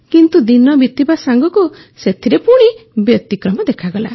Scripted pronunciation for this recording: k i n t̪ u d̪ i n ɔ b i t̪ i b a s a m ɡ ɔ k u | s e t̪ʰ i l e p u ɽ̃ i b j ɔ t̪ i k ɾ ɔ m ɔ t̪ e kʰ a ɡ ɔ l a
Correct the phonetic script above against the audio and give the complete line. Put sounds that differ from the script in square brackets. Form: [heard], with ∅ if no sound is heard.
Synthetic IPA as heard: k i n t̪ u d̪ i n ɔ b i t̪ i b a s a [ŋ] ɡ ɔ k u | s e t̪ʰ i [ɾ] e p u ɽ̃ i b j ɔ t̪ i k ɾ ɔ m ɔ [d̪] e kʰ a ɡ ɔ l a

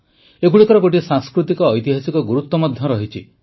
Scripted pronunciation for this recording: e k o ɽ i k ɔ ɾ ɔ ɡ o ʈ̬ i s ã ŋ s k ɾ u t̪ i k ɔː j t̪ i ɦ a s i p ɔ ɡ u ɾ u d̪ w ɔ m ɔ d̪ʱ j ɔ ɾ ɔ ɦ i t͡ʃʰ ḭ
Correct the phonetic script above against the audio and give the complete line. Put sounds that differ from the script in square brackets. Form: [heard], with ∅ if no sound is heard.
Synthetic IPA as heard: e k [u] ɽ i k ɔ ɾ ɔ ɡ o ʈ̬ i s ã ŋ s k ɾ u t̪ i k ɔː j t̪ i ɦ a s i [k] ɔ ɡ u ɾ u [t̪] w ɔ m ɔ d̪ʱ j ɔ ɾ ɔ ɦ i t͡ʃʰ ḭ

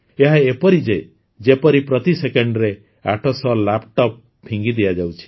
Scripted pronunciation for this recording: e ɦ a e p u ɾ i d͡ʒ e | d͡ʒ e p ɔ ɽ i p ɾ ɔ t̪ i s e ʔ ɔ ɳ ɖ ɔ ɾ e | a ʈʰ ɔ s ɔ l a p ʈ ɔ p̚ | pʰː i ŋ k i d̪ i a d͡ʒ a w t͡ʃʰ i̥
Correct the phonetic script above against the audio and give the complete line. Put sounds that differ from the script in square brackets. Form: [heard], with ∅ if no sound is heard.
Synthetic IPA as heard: e ɦ a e p [ɔ] ɾ i d͡ʒ e | d͡ʒ e p ɔ [ɾ] i p ɾ ɔ t̪ i s e [k] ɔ ɳ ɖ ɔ ɾ e | a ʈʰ ɔ s ɔ l a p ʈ ɔ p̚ | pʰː i ŋ [ɡ] i d̪ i a d͡ʒ a w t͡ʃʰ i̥

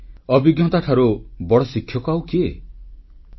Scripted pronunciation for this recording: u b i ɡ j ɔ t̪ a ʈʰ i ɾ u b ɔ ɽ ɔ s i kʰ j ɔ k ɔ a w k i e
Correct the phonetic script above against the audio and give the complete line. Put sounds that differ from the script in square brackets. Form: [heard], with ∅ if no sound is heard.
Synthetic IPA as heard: [ɔ] b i ɡ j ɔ t̪ a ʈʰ [a] ɾ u b ɔ ɽ ɔ s i kʰ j ɔ k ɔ a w k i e

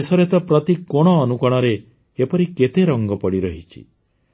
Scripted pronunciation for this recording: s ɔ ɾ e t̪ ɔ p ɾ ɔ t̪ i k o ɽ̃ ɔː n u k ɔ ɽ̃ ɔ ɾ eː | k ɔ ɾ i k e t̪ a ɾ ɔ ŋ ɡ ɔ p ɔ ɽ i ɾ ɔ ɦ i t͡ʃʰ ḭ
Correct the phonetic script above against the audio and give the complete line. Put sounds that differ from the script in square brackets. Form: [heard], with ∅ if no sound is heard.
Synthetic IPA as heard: s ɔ ɾ e t̪ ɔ p ɾ ɔ t̪ i k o ɽ̃ ɔː n u k ɔ ɽ̃ ɔ ɾ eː | [p] ɔ ɾ i k e t̪ [e] ɾ ɔ ŋ ɡ ɔ p ɔ ɽ i ɾ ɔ ɦ i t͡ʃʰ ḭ

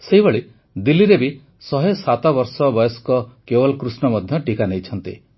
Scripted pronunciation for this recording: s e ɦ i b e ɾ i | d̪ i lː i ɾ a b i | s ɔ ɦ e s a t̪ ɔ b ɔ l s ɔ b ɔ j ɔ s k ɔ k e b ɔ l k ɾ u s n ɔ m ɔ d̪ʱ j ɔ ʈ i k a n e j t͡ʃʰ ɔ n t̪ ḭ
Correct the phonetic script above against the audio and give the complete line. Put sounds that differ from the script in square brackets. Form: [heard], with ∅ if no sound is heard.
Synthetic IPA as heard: s e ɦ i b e [ɭ] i | d̪ i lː i ɾ [e] b i | s ɔ ɦ e s a t̪ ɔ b ɔ [ɾ] s ɔ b ɔ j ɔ s k ɔ k e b ɔ l k ɾ u s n ɔ m ɔ d̪ʱ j ɔ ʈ i k a n e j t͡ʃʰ ɔ n t̪ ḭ

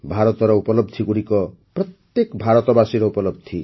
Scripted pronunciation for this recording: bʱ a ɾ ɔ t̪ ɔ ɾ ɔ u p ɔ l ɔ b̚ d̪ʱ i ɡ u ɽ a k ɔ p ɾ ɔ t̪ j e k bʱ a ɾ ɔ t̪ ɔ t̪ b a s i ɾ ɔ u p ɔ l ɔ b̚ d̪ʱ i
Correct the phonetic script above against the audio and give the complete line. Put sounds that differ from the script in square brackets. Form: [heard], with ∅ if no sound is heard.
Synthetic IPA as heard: bʱ a ɾ ɔ t̪ ɔ ɾ ɔ u p ɔ l ɔ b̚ d̪ʱ i ɡ u ɽ [i] k ɔ p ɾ ɔ t̪ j e k bʱ a ɾ ɔ t̪ ɔ [∅] b a s i ɾ ɔ u p ɔ l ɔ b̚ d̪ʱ i

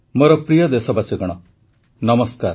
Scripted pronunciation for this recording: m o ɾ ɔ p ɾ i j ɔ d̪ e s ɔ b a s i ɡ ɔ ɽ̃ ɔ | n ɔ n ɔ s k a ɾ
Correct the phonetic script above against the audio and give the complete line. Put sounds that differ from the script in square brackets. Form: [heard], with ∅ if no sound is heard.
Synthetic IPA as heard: m o ɾ ɔ p ɾ i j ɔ d̪ e s ɔ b a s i ɡ ɔ ɽ̃ ɔ | n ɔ [m] ɔ s k a ɾ

